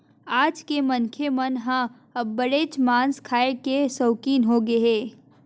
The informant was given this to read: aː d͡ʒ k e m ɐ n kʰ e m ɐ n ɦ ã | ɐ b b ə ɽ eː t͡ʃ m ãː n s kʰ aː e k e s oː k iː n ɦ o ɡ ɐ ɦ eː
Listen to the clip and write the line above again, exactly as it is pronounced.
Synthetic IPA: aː d͡ʒ k e m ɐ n kʰ e m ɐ n ɦ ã | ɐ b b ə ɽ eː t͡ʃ m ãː n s kʰ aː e k e s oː k iː n ɦ o ɡ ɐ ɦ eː